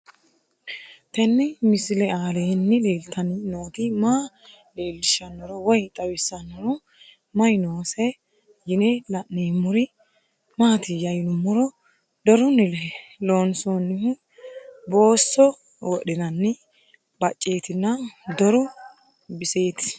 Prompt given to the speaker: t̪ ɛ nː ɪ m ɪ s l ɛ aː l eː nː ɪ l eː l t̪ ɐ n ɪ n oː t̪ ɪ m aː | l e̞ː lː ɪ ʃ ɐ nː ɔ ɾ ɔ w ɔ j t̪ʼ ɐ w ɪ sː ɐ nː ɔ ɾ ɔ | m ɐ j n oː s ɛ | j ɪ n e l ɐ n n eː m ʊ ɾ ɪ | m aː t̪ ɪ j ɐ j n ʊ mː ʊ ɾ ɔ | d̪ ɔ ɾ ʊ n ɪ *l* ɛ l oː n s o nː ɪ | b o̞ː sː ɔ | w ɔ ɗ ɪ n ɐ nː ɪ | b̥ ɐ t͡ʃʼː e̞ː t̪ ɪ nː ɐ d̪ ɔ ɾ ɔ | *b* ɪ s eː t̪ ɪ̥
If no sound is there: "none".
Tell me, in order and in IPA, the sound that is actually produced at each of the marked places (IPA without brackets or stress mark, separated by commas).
l, b